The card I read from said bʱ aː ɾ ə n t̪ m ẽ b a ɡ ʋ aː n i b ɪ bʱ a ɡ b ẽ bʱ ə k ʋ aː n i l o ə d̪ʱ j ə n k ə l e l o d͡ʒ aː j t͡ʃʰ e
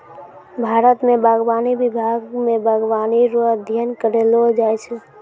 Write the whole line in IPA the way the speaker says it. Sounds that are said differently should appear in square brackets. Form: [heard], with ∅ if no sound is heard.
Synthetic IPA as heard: bʱ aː ɾ ə [∅] t̪ m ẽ b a ɡ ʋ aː n i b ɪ bʱ a ɡ [m] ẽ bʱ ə [ɡ] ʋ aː n i [ɾ] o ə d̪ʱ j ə n k ə [ɾ] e l o d͡ʒ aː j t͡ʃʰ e